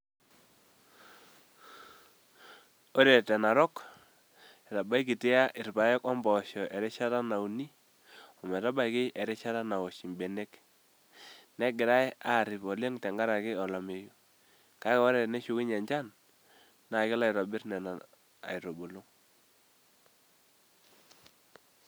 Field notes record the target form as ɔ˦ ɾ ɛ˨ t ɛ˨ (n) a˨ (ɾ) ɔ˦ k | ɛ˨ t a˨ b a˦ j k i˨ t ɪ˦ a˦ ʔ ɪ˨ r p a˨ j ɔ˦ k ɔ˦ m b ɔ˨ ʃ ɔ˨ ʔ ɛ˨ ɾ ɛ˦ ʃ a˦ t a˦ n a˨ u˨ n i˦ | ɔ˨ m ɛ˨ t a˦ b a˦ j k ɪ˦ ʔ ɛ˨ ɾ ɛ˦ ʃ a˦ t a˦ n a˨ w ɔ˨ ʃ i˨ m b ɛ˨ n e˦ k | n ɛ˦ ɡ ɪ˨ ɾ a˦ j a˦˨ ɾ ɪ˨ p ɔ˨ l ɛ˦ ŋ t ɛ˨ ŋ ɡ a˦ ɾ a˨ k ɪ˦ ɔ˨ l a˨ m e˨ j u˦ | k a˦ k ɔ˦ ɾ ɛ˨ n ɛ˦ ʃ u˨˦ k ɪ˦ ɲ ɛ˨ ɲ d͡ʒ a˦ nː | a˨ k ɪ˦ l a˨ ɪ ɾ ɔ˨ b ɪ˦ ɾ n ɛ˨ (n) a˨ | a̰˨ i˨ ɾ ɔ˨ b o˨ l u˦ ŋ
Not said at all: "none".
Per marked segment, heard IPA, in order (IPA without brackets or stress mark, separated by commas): n, ɾ, n